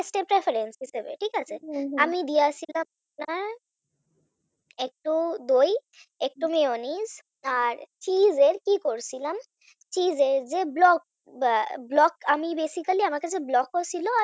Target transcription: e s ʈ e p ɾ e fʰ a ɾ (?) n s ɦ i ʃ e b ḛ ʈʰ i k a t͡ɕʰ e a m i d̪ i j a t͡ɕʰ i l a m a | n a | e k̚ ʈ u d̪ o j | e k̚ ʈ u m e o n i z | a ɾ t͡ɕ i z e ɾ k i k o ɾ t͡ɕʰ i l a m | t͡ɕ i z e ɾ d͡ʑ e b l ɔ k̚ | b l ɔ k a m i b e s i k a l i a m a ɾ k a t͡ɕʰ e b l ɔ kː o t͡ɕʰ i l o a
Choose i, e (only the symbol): e